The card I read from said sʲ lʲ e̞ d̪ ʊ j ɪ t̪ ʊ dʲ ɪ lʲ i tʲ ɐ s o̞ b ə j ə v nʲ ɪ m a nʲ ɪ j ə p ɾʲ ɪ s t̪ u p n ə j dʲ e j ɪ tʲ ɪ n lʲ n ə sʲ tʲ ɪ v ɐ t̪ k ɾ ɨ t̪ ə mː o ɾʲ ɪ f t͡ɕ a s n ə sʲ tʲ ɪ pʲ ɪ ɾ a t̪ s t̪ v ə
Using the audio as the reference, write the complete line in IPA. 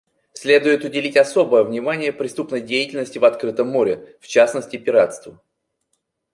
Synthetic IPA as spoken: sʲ lʲ e̞ d̪ ʊ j ɪ t̪ ʊ dʲ ɪ lʲ i tʲ ɐ s o̞ b ə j ə v nʲ ɪ m a nʲ ɪ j ə p ɾʲ ɪ s t̪ u p n ə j dʲ e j ɪ tʲ ɪ lʲ n ə sʲ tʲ ɪ v ɐ t̪ k ɾ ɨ t̪ ə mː o ɾʲ ɪ f t͡ɕ a s n ə sʲ tʲ ɪ pʲ ɪ ɾ a t̪ s t̪ v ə